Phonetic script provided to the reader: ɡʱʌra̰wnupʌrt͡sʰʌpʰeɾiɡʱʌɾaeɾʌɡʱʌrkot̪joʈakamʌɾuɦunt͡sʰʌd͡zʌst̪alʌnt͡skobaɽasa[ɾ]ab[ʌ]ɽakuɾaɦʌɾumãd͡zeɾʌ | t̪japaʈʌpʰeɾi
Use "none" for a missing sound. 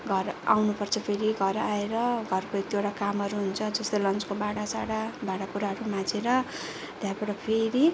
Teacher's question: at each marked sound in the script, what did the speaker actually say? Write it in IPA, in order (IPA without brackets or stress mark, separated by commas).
ɽ, a